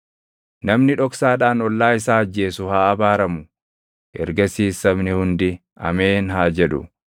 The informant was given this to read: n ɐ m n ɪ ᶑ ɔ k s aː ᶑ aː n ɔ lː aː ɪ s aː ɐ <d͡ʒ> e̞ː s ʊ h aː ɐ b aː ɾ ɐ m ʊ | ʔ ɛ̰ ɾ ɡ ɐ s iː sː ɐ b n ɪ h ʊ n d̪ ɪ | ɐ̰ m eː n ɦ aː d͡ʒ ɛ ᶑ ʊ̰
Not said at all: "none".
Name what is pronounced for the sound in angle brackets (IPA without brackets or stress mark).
d͡ʒː